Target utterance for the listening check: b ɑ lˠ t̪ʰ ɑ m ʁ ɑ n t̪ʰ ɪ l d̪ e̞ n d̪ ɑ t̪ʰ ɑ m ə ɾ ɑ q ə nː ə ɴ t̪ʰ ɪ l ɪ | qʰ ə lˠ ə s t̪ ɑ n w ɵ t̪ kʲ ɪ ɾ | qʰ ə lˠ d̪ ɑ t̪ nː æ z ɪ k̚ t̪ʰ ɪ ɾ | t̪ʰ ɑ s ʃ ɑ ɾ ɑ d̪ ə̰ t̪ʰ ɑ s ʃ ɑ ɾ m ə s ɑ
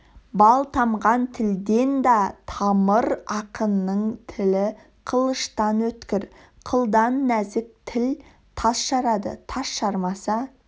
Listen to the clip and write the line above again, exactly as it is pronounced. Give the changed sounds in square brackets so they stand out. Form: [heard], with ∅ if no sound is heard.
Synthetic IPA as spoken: b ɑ lˠ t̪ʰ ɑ m ʁ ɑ n t̪ʰ ɪ l d̪ e̞ n d̪ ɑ t̪ʰ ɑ m ə ɾ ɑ q ə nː ə ɴ t̪ʰ ɪ l ɪ | qʰ ə lˠ ə [ʃ] t̪ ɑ n w ɵ t̪ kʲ ɪ ɾ | qʰ ə lˠ d̪ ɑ [∅] nː æ z ɪ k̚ t̪ʰ ɪ [l] | t̪ʰ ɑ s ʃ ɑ ɾ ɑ d̪ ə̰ t̪ʰ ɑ s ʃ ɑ ɾ m [ɑ] s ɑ